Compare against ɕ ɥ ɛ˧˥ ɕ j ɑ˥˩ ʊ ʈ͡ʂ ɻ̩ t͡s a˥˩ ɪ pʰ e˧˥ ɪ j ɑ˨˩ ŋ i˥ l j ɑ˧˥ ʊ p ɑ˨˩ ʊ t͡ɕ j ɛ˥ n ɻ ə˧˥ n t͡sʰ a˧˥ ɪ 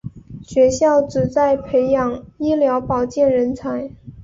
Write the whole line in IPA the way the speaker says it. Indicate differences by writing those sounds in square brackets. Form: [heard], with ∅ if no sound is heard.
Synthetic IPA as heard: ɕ ɥ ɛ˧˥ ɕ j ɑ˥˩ ʊ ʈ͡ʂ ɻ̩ t͡s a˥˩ ɪ pʰ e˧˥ ɪ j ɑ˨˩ ŋ i˥ l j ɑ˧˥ ʊ p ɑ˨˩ ʊ t͡ɕ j [ɛ˥˩] n ɻ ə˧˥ n t͡sʰ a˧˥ ɪ